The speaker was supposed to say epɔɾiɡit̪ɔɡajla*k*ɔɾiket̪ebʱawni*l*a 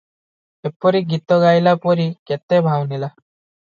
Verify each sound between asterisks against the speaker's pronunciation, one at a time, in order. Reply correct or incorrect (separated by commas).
incorrect, correct